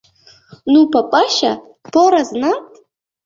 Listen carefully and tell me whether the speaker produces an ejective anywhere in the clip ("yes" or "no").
yes